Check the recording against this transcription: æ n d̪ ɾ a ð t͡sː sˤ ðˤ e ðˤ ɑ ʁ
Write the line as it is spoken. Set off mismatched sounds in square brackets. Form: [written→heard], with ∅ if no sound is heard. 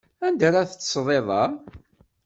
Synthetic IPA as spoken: æ n d̪ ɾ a [ð→θ] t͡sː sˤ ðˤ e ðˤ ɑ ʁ